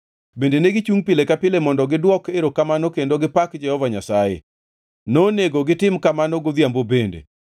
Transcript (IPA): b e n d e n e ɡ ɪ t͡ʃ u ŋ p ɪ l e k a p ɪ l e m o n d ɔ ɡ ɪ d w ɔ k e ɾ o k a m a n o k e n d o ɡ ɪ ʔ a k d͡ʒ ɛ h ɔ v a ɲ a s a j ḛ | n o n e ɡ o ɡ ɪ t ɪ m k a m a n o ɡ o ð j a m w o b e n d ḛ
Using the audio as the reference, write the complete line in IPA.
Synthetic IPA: b e n d e n e ɡ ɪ t͡ʃ u ŋ p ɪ l e k a p ɪ l e m ɔ n d ɔ ɡ ɪ d w ɔ k e ɾ o k a m a n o k e n d o ɡ ɪ p a k d͡ʒ ɛ h ɔ v a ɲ a s a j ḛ | n o n e ɡ o ɡ ɪ t ɪ m k a m a n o ɡ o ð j a m b o b e n d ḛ

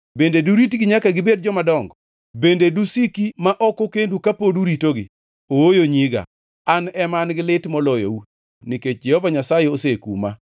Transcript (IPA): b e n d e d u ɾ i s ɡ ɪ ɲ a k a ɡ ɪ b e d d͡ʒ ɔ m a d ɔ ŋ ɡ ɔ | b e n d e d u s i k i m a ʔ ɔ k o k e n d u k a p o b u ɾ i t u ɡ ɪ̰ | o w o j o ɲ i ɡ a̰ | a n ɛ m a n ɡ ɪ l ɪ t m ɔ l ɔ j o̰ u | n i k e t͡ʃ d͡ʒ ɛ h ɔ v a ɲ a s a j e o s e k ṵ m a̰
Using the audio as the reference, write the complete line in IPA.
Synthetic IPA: b e n d e d u ɾ i t ɡ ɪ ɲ a k a ɡ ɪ b e d d͡ʒ ɔ m a d ɔ ŋ ɡ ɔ | b e n d e d u s i k i m a ʔ ɔ k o k e n d u k a p o d u ɾ i t o ɡ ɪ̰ | o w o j o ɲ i ɡ a̰ | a n ɛ m a n ɡ ɪ l ɪ t m ɔ l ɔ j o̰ u | n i k e t͡ʃ d͡ʒ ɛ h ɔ v a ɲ a s a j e o s e k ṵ m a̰

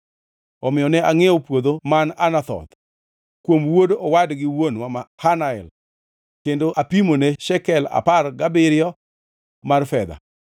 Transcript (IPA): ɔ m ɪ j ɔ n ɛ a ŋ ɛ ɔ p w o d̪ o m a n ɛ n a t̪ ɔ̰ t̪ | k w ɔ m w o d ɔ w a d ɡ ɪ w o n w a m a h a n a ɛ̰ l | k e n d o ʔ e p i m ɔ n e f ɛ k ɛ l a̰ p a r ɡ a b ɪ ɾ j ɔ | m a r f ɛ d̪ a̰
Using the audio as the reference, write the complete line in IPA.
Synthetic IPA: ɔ m ɪ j ɔ n ɛ a ŋ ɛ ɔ p w o d̪ o m a n a n a t̪ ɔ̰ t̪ | k w o m w o d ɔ w a d ɡ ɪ w o n w a m a h a n a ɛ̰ l | k e n d o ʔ a p i m o n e ʃ ɛ k ɛ l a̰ p a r ɡ a b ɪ ɾ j ɔ | m a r f ɛ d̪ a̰

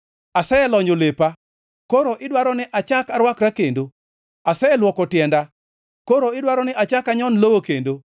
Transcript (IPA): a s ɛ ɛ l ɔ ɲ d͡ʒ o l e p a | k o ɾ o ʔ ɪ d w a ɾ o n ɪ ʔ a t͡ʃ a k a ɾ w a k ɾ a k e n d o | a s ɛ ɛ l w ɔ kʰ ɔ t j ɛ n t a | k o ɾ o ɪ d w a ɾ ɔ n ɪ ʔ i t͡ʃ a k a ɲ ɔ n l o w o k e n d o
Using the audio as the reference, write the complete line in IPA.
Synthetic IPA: a s ɛ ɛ l ɔ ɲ d͡ʒ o l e p a | k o ɾ o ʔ ɪ d w a ɾ ɔ n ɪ ʔ a t͡ʃ a k a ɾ w a k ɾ a k e n d o | a s ɛ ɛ l w ɔ k ɔ t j ɛ n d a | k o ɾ o ɪ d w a ɾ ɔ n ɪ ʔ a t͡ʃ a k a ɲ ɔ n l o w o k e n d o

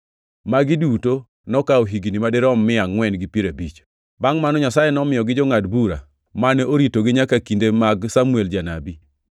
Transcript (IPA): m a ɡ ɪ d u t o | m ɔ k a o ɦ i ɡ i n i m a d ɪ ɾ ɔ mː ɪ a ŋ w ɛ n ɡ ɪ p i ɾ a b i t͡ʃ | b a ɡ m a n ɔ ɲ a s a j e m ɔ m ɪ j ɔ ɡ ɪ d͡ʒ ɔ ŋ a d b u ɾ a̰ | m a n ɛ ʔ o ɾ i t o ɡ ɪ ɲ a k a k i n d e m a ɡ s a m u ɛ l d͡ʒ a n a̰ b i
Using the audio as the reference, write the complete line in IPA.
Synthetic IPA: m a ɡ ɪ d u t o | n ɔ k a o ɦ i ɡ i n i m a d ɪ ɾ ɔ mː ɪ a ŋ w ɛ n ɡ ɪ p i ɾ a b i t͡ʃ | b a ŋ m a n ɔ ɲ a s a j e n ɔ m ɪ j ɔ ɡ ɪ d͡ʒ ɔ ŋ a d b u ɾ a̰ | m a n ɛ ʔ o ɾ i t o ɡ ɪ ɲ a k a k i n d e m a ɡ s a m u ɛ l d͡ʒ a n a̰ b i

